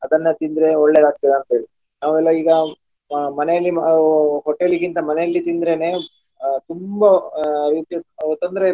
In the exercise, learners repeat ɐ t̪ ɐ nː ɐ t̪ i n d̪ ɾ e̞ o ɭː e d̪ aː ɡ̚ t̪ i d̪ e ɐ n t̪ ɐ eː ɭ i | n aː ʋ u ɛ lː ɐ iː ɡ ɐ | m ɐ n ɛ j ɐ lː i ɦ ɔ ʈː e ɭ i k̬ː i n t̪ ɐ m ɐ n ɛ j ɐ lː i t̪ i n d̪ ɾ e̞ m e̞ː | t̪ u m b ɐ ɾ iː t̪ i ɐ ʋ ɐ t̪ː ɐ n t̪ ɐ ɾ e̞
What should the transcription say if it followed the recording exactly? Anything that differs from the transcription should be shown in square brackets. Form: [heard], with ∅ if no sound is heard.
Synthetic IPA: ɐ [d̪] ɐ nː ɐ t̪ i n d̪ ɾ e̞ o ɭː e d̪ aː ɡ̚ t̪ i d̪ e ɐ n t̪ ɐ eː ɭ i | n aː ʋ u ɛ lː ɐ iː ɡ ɐ | m ɐ n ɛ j ɐ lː i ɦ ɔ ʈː e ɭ i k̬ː i n t̪ ɐ m ɐ n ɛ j ɐ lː i t̪ i n d̪ ɾ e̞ [n] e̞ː | t̪ u m b ɐ ɾ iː t̪ i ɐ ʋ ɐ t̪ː ɐ n [d̪] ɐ ɾ e̞